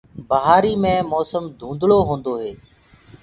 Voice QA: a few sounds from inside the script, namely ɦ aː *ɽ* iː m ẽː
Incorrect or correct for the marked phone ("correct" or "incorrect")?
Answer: incorrect